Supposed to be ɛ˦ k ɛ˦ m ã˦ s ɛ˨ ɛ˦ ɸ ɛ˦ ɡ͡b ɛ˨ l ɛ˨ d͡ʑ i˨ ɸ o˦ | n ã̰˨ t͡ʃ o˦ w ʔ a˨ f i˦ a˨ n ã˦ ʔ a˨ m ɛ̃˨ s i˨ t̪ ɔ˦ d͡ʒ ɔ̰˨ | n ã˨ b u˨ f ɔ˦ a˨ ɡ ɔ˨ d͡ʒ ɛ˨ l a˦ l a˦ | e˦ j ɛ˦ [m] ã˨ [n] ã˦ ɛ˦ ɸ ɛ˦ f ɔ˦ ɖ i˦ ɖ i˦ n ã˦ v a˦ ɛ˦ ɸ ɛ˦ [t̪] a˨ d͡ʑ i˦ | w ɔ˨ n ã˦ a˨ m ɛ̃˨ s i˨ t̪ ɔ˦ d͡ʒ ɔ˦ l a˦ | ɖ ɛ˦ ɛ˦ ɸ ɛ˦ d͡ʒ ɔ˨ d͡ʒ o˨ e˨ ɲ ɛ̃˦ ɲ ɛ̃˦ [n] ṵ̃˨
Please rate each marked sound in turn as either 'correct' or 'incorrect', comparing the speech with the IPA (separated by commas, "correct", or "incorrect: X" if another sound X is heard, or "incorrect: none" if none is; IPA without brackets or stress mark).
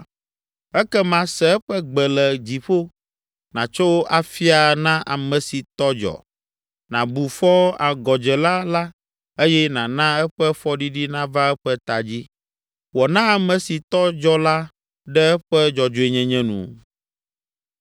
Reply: incorrect: n, correct, correct, correct